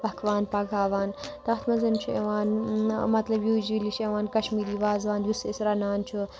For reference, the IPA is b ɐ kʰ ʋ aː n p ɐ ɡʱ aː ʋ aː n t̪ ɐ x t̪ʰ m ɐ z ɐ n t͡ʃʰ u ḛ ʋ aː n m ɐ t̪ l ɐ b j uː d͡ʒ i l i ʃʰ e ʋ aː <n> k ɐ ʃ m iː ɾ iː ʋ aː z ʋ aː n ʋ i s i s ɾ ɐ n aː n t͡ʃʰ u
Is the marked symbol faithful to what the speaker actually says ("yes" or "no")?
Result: yes